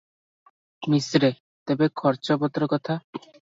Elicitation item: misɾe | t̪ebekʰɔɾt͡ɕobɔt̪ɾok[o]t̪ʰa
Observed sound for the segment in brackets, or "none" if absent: ɔ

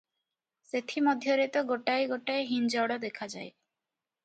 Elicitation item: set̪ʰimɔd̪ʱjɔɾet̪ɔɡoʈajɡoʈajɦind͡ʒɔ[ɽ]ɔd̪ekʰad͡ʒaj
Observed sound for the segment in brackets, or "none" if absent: ɽ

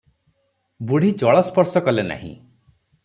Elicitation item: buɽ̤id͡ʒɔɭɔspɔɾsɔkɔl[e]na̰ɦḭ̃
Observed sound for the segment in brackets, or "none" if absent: e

